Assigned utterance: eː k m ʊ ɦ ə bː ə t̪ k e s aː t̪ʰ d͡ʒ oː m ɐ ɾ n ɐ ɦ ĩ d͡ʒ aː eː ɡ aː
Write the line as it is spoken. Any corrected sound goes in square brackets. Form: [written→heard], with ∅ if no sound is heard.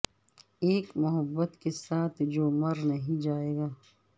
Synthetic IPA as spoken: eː k m ʊ ɦ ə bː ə t̪ k e s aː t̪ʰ d͡ʒ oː m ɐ ɾ n ɐ ɦ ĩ d͡ʒ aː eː ɡ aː